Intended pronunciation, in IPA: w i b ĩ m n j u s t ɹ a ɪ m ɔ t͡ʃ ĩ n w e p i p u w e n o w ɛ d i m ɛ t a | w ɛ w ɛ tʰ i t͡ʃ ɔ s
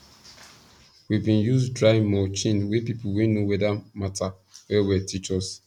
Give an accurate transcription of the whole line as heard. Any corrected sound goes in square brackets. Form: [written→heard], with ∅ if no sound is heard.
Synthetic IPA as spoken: w i b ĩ [m→∅] n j u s [t→d] ɹ a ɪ m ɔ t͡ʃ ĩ n w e p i p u w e n o w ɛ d [i→a] m [ɛ→a] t a | w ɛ w ɛ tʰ i t͡ʃ ɔ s

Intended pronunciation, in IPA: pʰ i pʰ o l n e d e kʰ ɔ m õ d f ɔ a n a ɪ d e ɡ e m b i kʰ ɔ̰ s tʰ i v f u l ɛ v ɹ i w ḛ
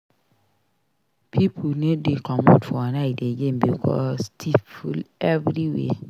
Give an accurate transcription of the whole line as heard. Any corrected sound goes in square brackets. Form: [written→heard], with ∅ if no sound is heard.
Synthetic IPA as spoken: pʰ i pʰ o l n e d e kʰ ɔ m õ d f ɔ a n a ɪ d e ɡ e m b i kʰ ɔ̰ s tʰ i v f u l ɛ v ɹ i w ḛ

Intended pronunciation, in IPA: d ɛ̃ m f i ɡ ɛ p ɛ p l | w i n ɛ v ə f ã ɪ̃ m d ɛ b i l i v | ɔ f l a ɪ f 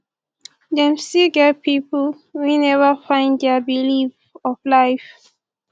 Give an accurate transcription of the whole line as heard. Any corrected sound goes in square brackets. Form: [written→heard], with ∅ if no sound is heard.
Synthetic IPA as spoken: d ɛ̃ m [f→s] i ɡ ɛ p [ɛ→i] p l | w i n ɛ v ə f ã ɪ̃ [m→n] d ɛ b i l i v | ɔ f l a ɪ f

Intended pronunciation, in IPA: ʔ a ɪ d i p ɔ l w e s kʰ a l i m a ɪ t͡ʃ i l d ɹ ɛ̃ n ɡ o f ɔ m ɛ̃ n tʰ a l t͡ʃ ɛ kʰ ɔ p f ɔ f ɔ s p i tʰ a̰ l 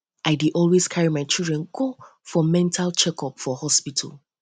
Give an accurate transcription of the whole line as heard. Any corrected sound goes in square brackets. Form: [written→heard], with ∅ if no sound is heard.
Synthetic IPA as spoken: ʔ a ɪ d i [p→ʔ] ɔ l w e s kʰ a [l→ɹ] i m a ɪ t͡ʃ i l d ɹ ɛ̃ n ɡ o f ɔ m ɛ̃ n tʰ a l t͡ʃ ɛ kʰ ɔ p f ɔ [f→h] ɔ s p i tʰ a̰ l

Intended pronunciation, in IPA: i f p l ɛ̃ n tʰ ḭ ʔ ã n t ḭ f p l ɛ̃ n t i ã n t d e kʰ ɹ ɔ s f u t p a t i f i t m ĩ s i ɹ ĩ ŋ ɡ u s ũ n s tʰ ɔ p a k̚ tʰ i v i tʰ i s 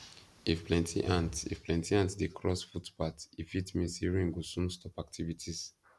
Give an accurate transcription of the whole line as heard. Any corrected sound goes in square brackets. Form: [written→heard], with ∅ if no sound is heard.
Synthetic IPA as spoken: i f p l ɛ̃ n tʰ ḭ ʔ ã n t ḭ f p l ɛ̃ n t i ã n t d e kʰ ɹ ɔ s f u t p a t i f i t m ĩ s i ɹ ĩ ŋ ɡ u s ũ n s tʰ ɔ p a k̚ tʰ i v i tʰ i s

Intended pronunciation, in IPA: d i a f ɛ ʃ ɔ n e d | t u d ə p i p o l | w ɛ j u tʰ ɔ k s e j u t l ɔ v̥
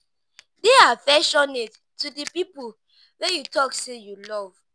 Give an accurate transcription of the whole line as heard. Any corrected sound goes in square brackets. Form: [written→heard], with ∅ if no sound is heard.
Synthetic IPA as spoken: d [i→e] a f ɛ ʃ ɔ n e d | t u d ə p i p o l | w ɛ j u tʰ ɔ k s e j u [t→∅] l ɔ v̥

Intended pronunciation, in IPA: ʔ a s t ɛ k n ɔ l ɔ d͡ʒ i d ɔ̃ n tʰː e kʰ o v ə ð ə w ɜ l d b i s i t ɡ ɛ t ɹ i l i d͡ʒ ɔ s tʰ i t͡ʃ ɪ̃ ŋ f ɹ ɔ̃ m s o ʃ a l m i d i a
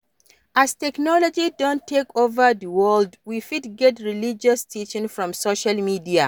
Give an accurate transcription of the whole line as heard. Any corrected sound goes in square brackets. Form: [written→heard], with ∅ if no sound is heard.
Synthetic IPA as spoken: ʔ a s t ɛ k n ɔ l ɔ d͡ʒ i d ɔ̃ n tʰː e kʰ o v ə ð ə w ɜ l d [b→w] i [s→f] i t ɡ ɛ t ɹ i l i d͡ʒ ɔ s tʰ i t͡ʃ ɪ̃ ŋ f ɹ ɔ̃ m s o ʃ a l m i d i a

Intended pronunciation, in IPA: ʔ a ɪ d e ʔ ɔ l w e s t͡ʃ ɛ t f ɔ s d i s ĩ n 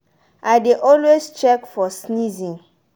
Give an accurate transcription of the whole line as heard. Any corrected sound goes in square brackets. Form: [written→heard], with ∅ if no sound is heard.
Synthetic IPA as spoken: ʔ a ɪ d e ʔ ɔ l w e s t͡ʃ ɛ [t→k] f ɔ s [d→n] i [s→z] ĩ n

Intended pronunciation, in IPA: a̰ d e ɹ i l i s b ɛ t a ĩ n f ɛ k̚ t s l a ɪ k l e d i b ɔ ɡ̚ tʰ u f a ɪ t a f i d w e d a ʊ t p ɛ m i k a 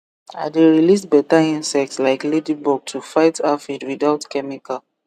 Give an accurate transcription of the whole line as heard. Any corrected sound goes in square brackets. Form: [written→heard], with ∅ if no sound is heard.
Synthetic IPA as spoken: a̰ d e ɹ i l i s b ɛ t a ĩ n [f→s] ɛ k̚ t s l a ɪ k l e d i b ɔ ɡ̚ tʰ u f a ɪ t a f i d w [e→i] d a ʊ t [p→k] ɛ m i k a

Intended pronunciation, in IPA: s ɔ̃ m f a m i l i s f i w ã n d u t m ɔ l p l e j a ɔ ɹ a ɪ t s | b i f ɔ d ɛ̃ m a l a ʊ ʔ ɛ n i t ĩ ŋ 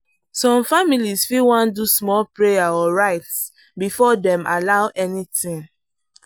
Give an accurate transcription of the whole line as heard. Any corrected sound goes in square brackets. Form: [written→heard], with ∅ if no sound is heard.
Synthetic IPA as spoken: s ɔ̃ m f a m i l i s f i w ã n d u [t→s] m ɔ l p [l→ɹ] e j a ɔ ɹ a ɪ t s | b i f ɔ d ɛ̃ m a l a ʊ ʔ ɛ n i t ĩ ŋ

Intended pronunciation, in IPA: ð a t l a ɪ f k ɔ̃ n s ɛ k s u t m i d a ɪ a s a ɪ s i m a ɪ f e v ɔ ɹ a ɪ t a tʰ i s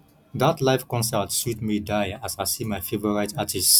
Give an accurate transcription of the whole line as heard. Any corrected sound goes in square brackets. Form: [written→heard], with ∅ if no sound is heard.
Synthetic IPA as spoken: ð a t l a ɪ f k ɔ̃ n s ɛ [k→t] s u t m i d a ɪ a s a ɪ s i m a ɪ f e v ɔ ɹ a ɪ t a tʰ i s

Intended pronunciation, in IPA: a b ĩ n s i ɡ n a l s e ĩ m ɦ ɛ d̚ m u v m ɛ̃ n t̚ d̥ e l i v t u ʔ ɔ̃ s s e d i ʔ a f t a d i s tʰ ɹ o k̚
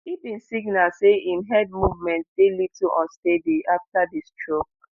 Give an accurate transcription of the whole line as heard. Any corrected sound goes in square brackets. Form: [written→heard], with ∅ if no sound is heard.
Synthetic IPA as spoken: [a→i] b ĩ n s i ɡ n a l s e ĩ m ɦ ɛ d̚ m u v m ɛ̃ n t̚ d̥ e l i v t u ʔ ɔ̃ s [s→t] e d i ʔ a f t a d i s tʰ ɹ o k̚

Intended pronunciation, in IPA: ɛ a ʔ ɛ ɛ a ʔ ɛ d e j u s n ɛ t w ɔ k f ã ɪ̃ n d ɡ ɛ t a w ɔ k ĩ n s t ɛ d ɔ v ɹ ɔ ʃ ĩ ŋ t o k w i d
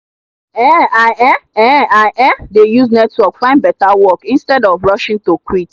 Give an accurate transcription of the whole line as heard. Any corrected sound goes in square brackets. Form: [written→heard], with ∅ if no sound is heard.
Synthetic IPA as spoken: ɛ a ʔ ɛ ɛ a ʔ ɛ d e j u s n ɛ t w ɔ k f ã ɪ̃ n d [ɡ→b] ɛ t a w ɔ k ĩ n s t ɛ d ɔ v ɹ ɔ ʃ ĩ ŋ t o k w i [d→t]

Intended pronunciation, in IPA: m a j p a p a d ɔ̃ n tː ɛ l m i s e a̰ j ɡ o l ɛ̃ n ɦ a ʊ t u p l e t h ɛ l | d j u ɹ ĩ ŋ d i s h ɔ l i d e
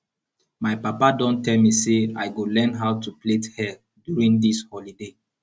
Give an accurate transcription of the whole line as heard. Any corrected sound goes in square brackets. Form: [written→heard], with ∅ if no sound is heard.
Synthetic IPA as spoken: m a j p a p a d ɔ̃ n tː ɛ l m i s e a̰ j ɡ o l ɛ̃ n ɦ a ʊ t u p l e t h ɛ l | d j u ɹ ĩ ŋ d i s h ɔ l i d e

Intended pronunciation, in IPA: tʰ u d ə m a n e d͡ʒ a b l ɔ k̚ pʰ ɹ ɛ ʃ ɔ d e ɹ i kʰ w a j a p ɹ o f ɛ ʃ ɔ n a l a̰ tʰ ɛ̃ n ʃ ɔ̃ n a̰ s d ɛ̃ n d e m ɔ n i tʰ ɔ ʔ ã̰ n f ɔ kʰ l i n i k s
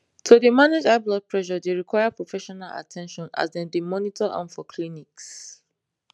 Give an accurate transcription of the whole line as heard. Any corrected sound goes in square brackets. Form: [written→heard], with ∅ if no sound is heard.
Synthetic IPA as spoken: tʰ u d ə m a n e d͡ʒ a b l ɔ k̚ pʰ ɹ ɛ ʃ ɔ d e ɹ i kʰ w a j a p ɹ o f ɛ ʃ ɔ n a l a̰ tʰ ɛ̃ n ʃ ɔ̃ n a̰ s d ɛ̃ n d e m ɔ n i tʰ ɔ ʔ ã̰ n f ɔ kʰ l i n i k s

